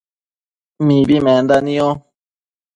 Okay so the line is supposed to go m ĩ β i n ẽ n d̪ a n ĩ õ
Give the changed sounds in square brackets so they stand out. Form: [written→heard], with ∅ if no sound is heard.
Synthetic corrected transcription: m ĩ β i [n→m] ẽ n d̪ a n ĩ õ